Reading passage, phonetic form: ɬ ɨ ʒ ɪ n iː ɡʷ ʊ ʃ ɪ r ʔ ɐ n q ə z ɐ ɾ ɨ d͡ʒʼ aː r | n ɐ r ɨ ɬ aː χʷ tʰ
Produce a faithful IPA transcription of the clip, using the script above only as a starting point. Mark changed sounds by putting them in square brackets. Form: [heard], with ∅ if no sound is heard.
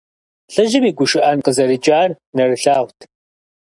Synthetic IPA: ɬ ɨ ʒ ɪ [m] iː ɡʷ ʊ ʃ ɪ [∅] ʔ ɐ n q ə z ɐ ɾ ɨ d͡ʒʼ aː r | n ɐ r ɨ ɬ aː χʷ tʰ

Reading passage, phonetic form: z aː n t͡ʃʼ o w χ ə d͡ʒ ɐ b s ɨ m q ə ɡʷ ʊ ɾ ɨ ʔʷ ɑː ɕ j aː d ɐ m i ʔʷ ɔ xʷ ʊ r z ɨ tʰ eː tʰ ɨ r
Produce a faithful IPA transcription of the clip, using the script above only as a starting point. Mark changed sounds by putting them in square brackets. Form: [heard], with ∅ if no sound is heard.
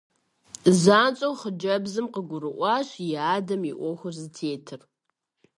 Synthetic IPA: z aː n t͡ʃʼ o w χ ə d͡ʒ ɐ b [z] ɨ m q ə ɡʷ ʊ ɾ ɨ ʔʷ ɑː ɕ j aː d ɐ m i ʔʷ ɔ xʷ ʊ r z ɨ tʰ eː tʰ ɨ r

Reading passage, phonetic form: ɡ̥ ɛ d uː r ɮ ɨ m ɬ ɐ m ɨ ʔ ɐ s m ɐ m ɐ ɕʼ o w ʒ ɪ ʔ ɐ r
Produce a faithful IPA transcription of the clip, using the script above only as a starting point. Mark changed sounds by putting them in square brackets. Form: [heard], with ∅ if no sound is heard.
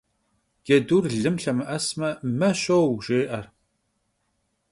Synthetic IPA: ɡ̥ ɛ d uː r ɮ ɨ m ɬ ɐ m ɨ ʔ ɐ s m ɐ m ɐ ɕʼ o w ʒ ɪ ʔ ɐ r

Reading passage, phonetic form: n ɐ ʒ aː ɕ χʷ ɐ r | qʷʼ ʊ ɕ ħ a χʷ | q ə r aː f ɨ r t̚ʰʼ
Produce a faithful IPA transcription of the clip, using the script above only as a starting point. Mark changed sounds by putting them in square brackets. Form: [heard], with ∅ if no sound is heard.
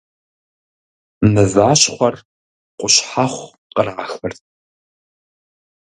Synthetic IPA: n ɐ [z] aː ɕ χʷ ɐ r | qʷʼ ʊ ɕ ħ a χʷ | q ə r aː [x] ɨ r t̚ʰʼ

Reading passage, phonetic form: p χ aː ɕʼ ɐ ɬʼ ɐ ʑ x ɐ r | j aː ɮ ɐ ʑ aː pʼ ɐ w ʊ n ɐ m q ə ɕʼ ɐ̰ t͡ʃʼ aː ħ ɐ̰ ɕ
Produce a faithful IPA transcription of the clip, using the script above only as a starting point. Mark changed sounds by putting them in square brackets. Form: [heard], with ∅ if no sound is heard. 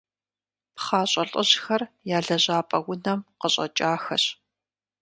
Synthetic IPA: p χ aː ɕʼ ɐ ɬʼ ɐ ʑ x ɐ r | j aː ɮ ɐ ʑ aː pʼ ɐ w ʊ n ɐ m q ə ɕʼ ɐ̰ t͡ʃʼ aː [x] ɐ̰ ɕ

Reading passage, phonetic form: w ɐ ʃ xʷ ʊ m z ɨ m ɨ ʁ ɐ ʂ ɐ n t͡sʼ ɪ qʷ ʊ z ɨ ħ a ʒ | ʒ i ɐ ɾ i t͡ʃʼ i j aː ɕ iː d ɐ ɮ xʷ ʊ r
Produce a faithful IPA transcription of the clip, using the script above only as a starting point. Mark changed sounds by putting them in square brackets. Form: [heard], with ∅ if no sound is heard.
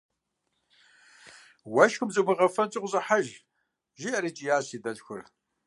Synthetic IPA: w ɐ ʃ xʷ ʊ m z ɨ m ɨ ʁ ɐ [f] ɐ n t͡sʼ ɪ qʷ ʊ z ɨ ħ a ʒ | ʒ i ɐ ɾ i t͡ʃʼ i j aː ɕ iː d ɐ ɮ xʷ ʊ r

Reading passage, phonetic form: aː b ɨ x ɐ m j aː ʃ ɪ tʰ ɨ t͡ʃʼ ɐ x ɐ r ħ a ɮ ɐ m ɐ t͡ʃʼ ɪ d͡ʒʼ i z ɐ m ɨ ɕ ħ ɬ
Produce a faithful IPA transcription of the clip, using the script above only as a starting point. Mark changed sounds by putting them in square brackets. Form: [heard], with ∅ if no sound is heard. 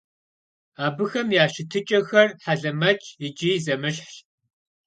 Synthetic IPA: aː b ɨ x ɐ m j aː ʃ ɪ tʰ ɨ t͡ʃʼ ɐ x ɐ r ħ a ɮ ɐ m ɐ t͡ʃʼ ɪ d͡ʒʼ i z ɐ m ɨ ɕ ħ ɬ

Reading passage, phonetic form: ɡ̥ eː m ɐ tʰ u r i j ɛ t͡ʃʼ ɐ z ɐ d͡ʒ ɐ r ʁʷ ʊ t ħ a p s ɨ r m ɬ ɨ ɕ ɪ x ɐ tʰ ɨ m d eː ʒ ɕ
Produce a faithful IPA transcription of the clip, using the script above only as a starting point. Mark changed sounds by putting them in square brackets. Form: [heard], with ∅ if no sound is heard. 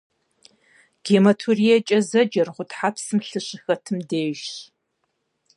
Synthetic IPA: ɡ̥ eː m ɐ tʰ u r i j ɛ t͡ʃʼ ɐ z ɐ d͡ʒ ɐ r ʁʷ ʊ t ħ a p s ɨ [∅] m ɬ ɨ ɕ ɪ x ɐ tʰ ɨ m d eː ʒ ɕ

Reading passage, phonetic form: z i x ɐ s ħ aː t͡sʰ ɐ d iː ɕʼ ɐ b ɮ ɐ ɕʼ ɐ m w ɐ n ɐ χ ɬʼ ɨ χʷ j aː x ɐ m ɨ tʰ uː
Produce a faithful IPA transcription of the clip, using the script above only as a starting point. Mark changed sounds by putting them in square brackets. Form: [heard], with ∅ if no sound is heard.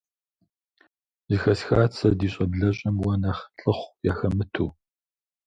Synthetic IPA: z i x ɐ s [x] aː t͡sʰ ɐ d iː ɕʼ ɐ b ɮ ɐ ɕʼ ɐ m w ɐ n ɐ χ ɬʼ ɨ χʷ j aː x ɐ m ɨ tʰ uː

